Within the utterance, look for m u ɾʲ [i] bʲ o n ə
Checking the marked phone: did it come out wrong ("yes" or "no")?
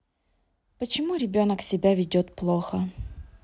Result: yes